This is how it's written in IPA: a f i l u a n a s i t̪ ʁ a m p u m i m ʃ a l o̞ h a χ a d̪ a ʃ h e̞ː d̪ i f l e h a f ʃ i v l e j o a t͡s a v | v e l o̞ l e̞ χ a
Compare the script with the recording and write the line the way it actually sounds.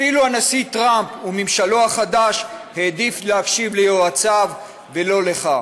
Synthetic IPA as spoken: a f i l u a n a s i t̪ ʁ a m p u m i m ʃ a l o̞ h a χ a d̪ a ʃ h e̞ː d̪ i f l e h a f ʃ i v l e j o a t͡s a v | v e l o̞ l e̞ χ a